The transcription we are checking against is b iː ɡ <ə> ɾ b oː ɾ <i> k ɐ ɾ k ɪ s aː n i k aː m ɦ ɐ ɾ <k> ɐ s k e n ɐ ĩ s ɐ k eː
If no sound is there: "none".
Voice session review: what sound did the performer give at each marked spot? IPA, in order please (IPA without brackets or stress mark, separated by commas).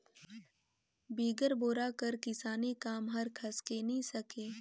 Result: ə, a, kʰ